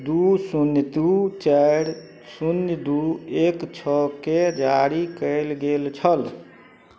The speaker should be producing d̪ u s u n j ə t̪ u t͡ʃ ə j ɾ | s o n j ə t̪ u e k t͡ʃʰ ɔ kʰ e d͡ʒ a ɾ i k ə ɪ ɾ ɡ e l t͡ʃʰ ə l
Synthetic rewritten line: d̪ u s u n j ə t̪ u t͡ʃ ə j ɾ | s u n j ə d̪ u e k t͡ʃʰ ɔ k e d͡ʒ a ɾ i k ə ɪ l ɡ e l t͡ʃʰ ə l